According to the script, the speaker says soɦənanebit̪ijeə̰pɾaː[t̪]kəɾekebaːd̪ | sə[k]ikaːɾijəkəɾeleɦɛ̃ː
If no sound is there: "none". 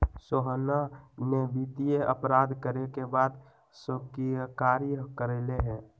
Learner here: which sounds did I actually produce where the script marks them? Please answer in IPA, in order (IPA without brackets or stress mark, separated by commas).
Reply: d̪, k